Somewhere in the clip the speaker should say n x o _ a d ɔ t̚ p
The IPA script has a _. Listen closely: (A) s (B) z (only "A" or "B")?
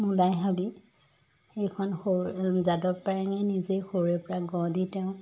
B